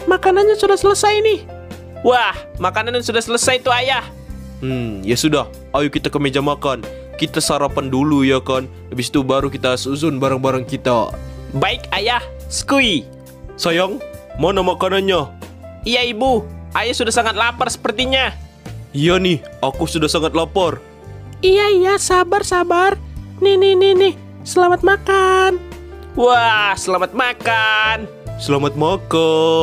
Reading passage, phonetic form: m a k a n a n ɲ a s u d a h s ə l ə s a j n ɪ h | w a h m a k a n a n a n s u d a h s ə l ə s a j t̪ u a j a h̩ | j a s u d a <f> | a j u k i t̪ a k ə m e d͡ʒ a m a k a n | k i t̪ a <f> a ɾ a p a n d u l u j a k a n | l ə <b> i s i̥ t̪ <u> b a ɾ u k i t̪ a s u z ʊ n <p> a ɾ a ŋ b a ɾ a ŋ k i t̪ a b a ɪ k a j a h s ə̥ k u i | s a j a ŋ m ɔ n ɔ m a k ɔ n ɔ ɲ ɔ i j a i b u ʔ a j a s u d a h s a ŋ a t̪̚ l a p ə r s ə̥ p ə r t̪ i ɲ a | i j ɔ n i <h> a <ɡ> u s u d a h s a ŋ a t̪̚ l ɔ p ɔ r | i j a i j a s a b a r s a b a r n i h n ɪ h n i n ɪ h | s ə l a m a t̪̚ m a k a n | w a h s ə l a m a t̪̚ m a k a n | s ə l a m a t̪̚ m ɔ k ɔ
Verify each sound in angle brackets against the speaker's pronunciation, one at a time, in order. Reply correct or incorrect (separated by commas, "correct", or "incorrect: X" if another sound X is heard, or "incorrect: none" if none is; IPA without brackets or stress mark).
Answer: incorrect: h, incorrect: s, correct, correct, incorrect: b, correct, incorrect: k